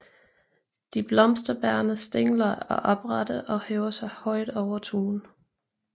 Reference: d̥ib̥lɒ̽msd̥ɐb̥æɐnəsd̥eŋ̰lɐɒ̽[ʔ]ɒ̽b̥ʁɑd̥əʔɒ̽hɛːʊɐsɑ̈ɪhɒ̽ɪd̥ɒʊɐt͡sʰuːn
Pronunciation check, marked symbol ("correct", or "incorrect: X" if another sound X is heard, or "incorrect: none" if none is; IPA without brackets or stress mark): correct